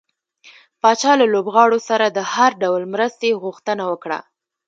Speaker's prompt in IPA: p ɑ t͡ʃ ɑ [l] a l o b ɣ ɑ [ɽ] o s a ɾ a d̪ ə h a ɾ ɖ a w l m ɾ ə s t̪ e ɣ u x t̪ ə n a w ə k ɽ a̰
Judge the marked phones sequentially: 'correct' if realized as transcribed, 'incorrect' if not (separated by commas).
correct, correct